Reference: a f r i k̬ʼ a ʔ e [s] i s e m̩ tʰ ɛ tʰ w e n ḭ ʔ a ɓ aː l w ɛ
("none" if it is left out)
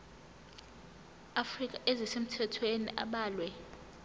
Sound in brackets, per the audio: z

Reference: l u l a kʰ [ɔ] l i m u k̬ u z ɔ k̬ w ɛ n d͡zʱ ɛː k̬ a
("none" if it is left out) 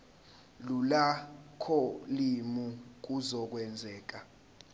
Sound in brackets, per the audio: ɔ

